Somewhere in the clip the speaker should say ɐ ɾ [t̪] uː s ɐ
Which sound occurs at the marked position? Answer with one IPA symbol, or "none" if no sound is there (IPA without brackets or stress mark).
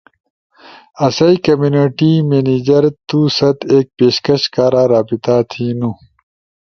t̪